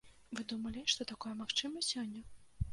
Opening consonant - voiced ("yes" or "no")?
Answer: yes